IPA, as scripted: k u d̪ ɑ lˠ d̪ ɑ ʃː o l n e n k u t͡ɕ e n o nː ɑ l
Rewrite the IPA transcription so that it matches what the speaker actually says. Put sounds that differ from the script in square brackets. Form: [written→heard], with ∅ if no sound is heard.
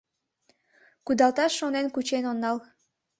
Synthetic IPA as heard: k u d̪ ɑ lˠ [d̪→t̪] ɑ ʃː o [l→∅] n e n k u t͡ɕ e n o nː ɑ l